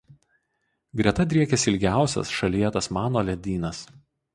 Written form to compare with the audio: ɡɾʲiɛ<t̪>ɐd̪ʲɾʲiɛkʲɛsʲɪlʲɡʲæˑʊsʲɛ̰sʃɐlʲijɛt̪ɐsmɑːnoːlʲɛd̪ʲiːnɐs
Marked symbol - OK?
yes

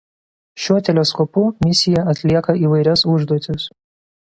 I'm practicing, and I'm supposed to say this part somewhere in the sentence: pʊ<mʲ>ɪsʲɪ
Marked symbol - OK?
yes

